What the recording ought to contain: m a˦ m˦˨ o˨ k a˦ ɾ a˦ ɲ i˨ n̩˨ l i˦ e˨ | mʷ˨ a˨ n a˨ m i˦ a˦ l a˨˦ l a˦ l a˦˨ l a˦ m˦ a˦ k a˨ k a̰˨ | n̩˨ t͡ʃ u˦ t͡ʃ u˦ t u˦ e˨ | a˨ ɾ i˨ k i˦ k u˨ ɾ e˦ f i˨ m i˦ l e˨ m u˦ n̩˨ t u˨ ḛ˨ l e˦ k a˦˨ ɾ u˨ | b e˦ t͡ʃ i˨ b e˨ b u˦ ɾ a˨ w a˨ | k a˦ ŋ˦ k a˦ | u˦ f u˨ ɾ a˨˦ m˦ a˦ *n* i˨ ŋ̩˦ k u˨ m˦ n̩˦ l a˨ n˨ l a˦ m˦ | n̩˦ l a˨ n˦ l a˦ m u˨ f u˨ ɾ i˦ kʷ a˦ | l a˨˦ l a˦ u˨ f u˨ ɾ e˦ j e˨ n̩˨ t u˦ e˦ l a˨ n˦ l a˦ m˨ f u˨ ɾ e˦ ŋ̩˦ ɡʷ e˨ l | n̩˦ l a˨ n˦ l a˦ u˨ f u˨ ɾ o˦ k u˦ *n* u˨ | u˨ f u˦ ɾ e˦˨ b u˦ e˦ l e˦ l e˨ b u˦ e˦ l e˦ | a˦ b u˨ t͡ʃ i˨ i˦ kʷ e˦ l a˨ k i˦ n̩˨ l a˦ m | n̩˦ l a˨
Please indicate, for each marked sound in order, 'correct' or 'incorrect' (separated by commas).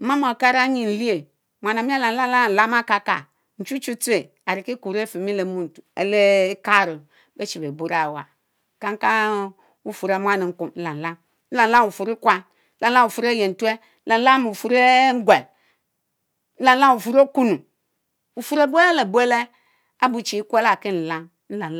correct, correct